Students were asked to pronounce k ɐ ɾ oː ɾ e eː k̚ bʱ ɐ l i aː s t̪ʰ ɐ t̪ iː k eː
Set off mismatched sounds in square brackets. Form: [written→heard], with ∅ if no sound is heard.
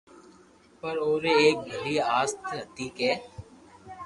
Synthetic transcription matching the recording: [k→p] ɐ ɾ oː ɾ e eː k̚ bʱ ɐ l i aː s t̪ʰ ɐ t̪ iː k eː